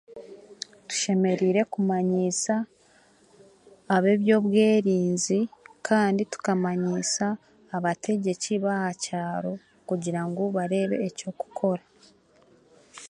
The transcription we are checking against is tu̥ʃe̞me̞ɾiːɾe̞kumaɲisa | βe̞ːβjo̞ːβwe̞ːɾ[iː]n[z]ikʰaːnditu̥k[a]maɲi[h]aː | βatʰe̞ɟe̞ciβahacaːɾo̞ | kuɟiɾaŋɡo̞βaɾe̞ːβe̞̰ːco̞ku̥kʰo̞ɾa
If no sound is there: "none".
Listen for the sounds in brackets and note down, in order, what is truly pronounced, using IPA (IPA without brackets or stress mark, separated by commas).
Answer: iː, z, a, s